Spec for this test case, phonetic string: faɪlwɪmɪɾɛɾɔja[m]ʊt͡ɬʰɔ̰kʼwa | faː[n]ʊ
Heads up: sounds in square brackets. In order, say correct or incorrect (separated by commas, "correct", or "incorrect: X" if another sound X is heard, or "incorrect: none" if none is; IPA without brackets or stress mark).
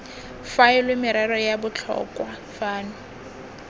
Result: incorrect: b, correct